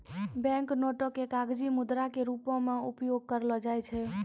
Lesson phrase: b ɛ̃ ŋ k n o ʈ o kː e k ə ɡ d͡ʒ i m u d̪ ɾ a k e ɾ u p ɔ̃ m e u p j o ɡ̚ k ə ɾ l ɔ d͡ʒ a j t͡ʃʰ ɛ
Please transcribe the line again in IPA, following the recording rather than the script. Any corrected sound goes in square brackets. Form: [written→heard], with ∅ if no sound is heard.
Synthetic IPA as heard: b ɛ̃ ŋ k n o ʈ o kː e k [ə→a] ɡ d͡ʒ i m u d̪ ɾ a k e ɾ u p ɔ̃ m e u p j o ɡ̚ k ə ɾ l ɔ d͡ʒ a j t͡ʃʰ ɛ